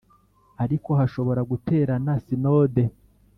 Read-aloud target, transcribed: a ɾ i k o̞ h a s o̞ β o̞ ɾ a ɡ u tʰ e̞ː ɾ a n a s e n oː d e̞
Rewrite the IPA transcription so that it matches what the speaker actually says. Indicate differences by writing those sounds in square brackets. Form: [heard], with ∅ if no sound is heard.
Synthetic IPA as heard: a ɾ i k o̞ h a [ʃ] o̞ β o̞ ɾ a ɡ u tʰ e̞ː ɾ a n a s [i] n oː d e̞